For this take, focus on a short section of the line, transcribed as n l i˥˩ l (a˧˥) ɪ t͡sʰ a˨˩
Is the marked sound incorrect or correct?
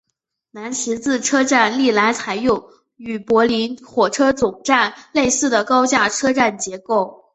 correct